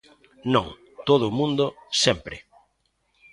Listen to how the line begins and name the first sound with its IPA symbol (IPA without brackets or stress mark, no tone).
n